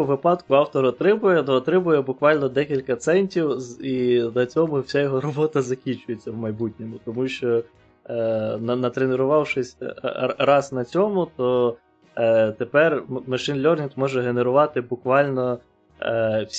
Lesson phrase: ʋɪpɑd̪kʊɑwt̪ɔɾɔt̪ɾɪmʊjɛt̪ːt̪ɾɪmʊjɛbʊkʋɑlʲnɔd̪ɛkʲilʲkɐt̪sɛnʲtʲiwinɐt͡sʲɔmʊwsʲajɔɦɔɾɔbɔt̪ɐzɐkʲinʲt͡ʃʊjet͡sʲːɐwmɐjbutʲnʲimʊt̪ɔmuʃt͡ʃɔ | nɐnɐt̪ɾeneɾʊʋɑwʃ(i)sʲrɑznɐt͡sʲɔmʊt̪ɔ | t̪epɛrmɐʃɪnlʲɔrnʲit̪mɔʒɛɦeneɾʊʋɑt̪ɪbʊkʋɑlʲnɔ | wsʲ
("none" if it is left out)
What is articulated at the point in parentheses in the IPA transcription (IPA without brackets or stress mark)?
ɪ